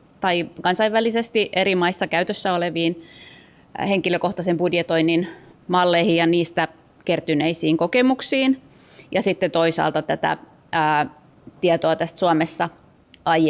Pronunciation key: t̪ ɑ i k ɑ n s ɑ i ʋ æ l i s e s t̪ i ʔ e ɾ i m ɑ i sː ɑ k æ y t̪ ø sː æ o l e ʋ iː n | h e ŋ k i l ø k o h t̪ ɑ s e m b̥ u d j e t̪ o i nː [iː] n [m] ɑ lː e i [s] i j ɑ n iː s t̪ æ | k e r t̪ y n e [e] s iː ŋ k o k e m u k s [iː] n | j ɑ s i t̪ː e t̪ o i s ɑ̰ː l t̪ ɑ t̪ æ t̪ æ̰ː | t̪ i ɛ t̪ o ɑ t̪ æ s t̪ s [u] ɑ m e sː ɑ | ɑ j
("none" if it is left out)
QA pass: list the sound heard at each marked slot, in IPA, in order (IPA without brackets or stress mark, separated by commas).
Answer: i, m, h, i, iː, u